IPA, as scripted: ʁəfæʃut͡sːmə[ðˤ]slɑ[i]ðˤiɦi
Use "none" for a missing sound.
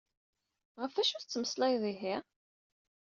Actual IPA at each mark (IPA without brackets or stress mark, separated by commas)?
none, j